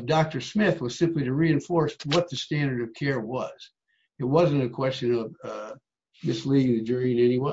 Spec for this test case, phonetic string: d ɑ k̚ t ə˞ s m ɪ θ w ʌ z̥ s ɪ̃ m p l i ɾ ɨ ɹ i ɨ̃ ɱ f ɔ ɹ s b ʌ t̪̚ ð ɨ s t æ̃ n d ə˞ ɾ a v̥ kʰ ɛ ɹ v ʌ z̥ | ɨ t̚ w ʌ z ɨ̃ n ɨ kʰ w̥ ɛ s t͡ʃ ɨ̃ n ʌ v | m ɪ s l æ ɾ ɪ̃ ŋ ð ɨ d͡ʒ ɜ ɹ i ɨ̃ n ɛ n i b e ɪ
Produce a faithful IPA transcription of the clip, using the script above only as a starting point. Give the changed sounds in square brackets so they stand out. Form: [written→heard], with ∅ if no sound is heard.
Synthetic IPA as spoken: d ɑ k̚ t ə˞ s m ɪ θ w ʌ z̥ s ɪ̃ m p l i ɾ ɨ ɹ i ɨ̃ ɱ f ɔ ɹ s [b→w] ʌ t̪̚ ð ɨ s t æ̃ n d ə˞ ɾ [a→ʌ] v̥ kʰ ɛ ɹ [v→w] ʌ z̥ | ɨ t̚ w ʌ z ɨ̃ n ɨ kʰ w̥ ɛ s t͡ʃ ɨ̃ n ʌ v | m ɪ s l [æ→i] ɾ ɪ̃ ŋ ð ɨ d͡ʒ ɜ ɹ i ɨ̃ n ɛ n i [b→w] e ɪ

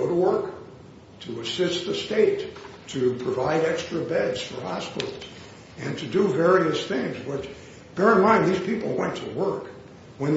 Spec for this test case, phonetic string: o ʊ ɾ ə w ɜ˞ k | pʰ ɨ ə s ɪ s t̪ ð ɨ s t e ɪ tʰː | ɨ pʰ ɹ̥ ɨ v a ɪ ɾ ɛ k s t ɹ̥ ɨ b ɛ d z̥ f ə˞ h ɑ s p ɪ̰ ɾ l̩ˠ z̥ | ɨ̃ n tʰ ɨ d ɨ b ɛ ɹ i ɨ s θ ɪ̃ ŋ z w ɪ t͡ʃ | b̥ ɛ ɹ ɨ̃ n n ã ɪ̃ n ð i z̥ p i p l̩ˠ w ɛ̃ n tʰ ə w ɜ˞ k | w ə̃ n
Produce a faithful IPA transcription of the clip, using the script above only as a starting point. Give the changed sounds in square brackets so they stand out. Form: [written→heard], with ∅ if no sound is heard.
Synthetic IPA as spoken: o ʊ ɾ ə w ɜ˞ k | [pʰ→tʰ] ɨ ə s ɪ s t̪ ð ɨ s t e ɪ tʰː | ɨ pʰ ɹ̥ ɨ v a ɪ ɾ ɛ k s t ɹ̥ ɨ b ɛ d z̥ f ə˞ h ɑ s p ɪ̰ ɾ l̩ˠ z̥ | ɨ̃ n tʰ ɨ d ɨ [b→v] ɛ ɹ i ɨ s θ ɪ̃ ŋ z w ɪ t͡ʃ | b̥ ɛ ɹ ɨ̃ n [n→m] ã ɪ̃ n ð i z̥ p i p l̩ˠ w ɛ̃ n tʰ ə w ɜ˞ k | w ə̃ n

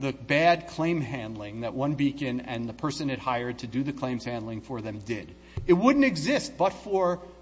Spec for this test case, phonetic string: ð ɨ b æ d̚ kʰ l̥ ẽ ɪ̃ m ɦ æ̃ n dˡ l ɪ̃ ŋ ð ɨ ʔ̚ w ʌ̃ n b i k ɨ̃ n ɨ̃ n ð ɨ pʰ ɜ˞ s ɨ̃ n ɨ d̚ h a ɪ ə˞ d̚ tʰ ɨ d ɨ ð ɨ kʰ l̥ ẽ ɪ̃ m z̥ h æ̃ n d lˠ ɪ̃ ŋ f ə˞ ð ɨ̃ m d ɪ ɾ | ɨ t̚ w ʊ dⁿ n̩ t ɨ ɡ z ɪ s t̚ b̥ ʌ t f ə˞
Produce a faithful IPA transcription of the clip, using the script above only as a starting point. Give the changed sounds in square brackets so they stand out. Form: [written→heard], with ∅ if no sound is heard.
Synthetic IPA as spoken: ð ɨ b æ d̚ kʰ l̥ ẽ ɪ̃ m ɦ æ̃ n dˡ l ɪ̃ ŋ ð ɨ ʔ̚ w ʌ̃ n b i k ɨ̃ n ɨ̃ n ð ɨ pʰ ɜ˞ s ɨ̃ n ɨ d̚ h a ɪ ə˞ d̚ tʰ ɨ d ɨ ð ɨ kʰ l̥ ẽ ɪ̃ m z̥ h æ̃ n d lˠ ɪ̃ ŋ f ə˞ ð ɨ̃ m d ɪ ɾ | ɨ t̚ w ʊ dⁿ n̩ t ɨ ɡ z ɪ s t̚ b̥ ʌ t f ə˞

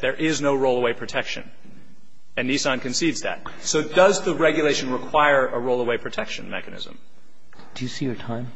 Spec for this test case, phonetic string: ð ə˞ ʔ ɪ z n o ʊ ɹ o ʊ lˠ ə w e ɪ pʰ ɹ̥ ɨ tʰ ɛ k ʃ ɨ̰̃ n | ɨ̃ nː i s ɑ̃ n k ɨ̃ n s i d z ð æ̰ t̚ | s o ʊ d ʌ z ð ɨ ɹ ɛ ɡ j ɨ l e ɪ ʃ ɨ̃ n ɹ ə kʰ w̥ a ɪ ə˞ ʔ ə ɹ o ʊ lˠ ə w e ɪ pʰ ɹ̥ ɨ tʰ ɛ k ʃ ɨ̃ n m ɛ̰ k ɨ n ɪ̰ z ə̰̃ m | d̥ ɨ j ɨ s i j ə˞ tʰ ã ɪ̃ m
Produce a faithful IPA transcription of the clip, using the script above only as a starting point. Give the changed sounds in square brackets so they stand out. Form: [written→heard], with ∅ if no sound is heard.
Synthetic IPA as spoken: ð ə˞ ʔ ɪ z n o ʊ ɹ o ʊ lˠ ə w e ɪ pʰ ɹ̥ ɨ tʰ ɛ k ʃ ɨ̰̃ n | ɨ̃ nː i s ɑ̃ n k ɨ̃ n s i d z ð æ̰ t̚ | s o ʊ d ʌ z ð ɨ ɹ ɛ ɡ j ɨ l e ɪ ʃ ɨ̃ n ɹ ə kʰ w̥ a ɪ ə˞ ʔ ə ɹ o ʊ lˠ ə w e ɪ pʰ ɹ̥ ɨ tʰ ɛ k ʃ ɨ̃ n m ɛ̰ k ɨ n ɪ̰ z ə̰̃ m | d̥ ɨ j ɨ s i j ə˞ tʰ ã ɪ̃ m

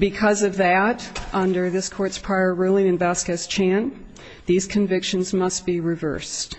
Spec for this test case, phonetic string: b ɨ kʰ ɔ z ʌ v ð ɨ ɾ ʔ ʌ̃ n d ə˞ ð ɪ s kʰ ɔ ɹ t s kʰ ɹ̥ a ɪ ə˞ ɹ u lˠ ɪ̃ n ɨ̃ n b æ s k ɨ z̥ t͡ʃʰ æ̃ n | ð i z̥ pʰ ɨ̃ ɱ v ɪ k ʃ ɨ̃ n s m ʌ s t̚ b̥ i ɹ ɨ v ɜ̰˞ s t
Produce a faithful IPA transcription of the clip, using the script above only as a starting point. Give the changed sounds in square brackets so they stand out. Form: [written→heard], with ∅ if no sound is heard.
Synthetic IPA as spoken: b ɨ kʰ [ɔ→ʌ] z ʌ v ð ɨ ɾ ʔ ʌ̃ n d ə˞ ð ɪ s kʰ ɔ ɹ t s [kʰ→pʰ] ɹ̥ a ɪ ə˞ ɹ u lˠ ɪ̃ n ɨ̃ n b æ s k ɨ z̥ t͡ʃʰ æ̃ n | ð i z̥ [pʰ→kʰ] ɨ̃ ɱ v ɪ k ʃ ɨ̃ n [s→z] m ʌ s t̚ b̥ i ɹ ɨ v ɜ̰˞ s t

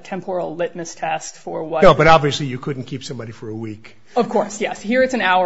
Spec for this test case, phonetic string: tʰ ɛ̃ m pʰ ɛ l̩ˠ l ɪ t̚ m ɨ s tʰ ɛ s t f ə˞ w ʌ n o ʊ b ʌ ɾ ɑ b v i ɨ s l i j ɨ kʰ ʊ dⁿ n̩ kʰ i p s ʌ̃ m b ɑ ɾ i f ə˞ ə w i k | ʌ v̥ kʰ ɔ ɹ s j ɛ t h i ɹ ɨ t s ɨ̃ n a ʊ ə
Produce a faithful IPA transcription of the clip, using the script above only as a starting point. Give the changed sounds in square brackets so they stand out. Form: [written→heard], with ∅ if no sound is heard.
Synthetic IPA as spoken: tʰ ɛ̃ m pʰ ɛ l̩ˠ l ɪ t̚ m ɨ s tʰ ɛ s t f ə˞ w ʌ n o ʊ b ʌ ɾ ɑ b v i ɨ s l i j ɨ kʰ ʊ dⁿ n̩ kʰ i p s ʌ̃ m b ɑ ɾ i f ə˞ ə w i k | ʌ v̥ kʰ ɔ ɹ s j ɛ [t→s] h i ɹ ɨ t s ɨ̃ n a ʊ ə

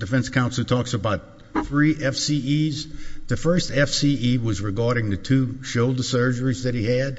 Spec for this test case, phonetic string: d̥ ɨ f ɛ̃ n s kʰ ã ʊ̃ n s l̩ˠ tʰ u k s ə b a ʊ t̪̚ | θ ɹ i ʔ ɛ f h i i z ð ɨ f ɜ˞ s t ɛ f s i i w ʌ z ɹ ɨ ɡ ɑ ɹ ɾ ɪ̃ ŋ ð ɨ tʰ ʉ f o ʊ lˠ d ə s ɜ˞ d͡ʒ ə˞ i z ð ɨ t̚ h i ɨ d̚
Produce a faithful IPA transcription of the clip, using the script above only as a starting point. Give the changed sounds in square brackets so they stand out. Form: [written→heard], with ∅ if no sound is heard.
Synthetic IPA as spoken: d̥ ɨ f ɛ̃ n s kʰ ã ʊ̃ n s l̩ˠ tʰ [u→ɔ] k s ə b a ʊ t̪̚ | θ ɹ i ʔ ɛ f [h→s] i i z ð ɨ f ɜ˞ s t ɛ f s i i w ʌ z ɹ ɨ ɡ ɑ ɹ ɾ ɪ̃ ŋ ð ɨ tʰ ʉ [f→ʃ] o ʊ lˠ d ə s ɜ˞ d͡ʒ ə˞ i z ð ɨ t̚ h i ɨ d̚

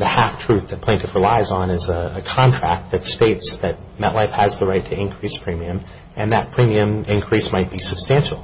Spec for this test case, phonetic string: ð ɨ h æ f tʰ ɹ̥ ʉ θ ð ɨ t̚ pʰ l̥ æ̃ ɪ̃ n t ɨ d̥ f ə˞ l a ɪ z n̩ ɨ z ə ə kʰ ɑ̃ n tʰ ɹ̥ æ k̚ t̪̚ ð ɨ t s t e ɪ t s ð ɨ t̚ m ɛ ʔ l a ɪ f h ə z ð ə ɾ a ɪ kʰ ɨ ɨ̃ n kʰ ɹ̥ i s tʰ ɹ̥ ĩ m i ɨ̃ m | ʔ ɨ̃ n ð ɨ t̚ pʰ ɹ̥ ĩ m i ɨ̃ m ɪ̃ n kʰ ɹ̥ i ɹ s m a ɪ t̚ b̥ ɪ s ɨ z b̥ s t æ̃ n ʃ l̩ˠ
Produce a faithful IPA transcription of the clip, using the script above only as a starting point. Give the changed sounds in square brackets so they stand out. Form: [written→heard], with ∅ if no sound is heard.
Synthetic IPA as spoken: ð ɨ h æ f tʰ ɹ̥ ʉ θ ð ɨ t̚ pʰ l̥ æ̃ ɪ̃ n t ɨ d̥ f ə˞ l a ɪ z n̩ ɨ z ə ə kʰ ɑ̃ n tʰ ɹ̥ æ k̚ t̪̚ ð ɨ t s t e ɪ t s ð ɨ t̚ m ɛ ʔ l a ɪ f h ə z ð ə [ɾ→ɹ] a ɪ [kʰ→tʰ] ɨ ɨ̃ n kʰ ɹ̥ i s [tʰ→pʰ] ɹ̥ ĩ m i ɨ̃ m | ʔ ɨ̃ n ð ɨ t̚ pʰ ɹ̥ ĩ m i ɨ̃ m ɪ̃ n kʰ ɹ̥ i [ɹ→∅] s m a ɪ t̚ b̥ [ɪ→i] s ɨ [z→∅] b̥ s t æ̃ n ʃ l̩ˠ

